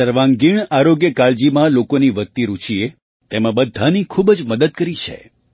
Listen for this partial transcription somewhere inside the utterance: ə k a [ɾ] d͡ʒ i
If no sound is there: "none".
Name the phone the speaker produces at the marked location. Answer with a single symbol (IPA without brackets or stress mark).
ɭ